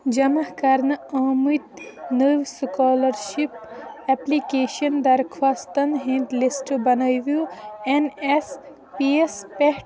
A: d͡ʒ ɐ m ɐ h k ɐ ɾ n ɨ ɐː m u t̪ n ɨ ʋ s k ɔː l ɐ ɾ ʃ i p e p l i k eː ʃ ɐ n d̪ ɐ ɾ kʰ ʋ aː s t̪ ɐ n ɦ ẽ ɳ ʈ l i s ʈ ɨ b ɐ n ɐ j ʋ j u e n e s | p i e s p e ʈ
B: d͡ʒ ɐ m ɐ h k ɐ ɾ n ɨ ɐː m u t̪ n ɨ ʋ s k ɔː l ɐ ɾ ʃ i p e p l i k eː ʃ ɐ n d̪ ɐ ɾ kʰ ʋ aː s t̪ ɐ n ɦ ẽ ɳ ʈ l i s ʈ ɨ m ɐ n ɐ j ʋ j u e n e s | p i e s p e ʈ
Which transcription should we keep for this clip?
A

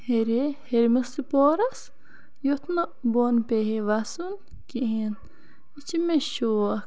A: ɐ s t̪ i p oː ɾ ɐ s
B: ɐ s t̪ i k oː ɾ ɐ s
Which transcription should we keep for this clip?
A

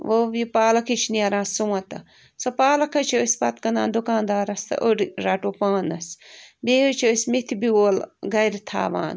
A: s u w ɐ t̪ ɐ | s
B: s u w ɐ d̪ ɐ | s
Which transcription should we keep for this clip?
A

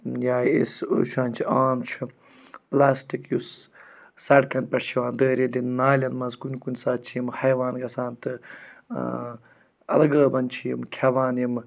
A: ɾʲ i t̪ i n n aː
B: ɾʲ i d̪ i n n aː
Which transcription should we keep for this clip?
B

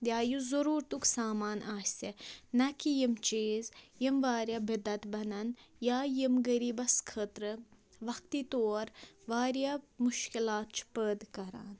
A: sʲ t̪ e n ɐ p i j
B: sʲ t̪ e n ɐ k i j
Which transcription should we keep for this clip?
B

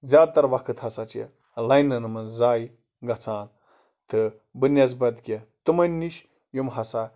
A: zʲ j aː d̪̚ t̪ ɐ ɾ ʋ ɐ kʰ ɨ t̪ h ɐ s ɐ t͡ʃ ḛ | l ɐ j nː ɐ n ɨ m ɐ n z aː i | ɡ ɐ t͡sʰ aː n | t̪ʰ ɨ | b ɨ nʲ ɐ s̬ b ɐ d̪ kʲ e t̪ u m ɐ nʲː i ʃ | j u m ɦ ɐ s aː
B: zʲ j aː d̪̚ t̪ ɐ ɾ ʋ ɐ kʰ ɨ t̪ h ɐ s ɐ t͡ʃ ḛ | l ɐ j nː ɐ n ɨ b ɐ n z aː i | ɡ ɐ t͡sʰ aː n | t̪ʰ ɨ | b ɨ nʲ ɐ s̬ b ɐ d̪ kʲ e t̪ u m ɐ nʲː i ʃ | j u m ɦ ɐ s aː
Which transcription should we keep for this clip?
A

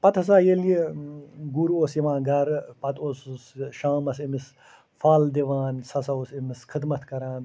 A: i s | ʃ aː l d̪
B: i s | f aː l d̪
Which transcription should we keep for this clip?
B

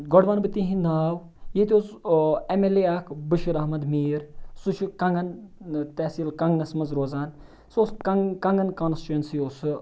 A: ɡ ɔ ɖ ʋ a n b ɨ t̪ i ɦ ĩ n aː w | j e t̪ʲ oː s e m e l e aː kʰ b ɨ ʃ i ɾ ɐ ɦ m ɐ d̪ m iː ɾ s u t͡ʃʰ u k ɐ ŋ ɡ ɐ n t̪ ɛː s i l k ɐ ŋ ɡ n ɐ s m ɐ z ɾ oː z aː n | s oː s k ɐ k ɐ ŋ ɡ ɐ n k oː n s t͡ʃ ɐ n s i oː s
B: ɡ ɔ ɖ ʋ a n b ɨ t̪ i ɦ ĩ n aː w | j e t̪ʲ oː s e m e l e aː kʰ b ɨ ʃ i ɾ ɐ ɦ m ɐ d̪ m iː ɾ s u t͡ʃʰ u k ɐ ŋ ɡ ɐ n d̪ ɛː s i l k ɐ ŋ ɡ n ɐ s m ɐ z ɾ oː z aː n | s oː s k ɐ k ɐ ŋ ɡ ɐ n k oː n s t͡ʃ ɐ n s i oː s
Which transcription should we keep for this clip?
A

